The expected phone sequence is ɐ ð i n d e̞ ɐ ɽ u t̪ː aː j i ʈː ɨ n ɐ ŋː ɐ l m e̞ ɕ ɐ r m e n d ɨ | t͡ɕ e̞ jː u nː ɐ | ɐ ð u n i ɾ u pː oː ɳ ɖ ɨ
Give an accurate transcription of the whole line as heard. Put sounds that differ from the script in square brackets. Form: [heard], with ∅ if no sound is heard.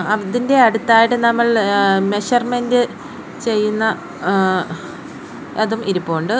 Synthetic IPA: ɐ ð i n d e̞ ɐ ɽ u t̪ː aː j i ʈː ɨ n ɐ [mː] ɐ [ɭ] m e̞ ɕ ɐ r m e n d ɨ | t͡ɕ e̞ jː u nː ɐ | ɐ ð u [m] i ɾ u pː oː ɳ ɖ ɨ